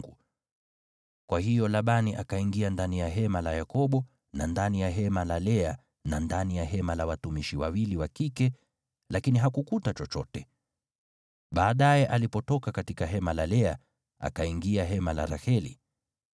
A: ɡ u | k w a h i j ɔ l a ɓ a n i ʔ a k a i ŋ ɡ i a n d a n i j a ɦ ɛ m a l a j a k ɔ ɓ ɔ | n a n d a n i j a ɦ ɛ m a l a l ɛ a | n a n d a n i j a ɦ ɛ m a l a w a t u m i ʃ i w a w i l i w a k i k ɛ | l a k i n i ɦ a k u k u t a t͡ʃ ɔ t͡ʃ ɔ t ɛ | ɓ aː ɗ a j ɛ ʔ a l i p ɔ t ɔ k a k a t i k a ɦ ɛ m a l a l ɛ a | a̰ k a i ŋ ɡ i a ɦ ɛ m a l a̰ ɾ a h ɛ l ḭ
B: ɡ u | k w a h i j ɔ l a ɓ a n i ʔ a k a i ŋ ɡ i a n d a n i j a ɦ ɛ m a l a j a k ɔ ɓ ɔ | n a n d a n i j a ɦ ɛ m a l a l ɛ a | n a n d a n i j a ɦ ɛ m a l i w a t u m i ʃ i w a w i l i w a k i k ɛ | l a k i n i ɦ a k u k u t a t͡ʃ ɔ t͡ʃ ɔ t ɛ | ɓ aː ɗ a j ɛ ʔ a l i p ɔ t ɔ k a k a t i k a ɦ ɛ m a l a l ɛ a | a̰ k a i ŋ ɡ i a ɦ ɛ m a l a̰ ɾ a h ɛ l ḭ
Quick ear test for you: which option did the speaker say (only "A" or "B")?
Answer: A